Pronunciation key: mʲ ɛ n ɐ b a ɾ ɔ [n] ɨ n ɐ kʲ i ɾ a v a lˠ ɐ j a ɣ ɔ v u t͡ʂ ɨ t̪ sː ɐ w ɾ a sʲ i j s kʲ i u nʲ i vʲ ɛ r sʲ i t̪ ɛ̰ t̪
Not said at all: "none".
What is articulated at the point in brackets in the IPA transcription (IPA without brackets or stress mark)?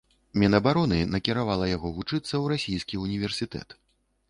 n